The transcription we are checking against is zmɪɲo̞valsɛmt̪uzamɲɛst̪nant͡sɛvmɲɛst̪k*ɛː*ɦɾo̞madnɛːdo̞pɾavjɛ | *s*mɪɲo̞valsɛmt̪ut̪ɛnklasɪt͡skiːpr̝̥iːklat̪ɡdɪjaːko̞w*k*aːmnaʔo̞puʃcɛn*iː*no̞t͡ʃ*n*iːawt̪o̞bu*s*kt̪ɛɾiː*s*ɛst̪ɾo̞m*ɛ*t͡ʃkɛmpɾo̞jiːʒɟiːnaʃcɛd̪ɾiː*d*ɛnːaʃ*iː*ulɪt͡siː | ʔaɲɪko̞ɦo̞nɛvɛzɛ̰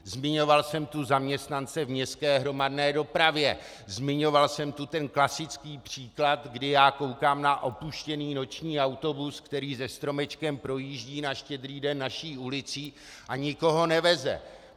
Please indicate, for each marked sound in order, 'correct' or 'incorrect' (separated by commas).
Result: correct, incorrect, correct, correct, incorrect, correct, incorrect, correct, correct, correct